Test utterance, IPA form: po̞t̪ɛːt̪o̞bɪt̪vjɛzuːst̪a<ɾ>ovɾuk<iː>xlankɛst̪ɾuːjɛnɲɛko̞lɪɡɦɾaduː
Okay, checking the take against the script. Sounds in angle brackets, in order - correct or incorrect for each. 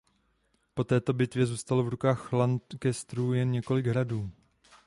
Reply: incorrect: l, incorrect: aː

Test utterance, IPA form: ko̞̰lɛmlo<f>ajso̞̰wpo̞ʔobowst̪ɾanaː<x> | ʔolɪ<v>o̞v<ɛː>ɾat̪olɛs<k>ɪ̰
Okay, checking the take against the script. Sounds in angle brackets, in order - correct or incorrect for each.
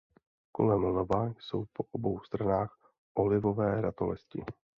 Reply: incorrect: v, correct, correct, correct, incorrect: c

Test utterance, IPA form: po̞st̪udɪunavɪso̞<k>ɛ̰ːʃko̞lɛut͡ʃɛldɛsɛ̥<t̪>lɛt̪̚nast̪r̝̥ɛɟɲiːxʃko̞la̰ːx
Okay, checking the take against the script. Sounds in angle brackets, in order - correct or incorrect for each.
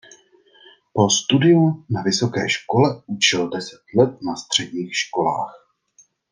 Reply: correct, correct

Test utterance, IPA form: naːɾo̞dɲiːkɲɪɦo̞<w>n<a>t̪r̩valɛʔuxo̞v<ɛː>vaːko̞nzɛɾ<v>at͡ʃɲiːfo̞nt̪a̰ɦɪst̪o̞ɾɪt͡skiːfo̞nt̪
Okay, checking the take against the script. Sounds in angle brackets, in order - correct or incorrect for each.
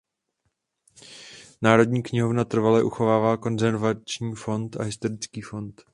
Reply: incorrect: v, correct, incorrect: aː, correct

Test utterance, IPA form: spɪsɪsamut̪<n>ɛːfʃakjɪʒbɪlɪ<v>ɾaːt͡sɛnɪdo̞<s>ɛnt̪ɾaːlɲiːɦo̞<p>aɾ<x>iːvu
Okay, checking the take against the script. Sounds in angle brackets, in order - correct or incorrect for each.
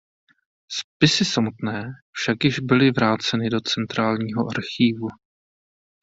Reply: correct, correct, incorrect: t͡s, incorrect: ʔ, correct

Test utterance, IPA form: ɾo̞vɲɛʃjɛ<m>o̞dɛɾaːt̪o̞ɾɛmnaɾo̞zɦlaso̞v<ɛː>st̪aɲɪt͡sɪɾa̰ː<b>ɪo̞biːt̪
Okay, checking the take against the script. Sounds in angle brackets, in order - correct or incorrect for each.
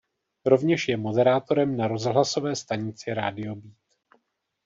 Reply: correct, correct, incorrect: d

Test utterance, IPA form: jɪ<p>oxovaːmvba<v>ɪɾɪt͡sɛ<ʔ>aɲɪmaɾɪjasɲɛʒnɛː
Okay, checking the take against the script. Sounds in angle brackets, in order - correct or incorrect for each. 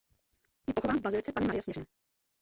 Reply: correct, incorrect: z, incorrect: p

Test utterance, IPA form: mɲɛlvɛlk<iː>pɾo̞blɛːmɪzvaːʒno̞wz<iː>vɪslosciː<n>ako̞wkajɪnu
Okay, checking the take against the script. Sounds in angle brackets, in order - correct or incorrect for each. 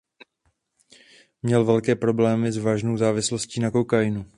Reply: incorrect: ɛː, incorrect: aː, correct

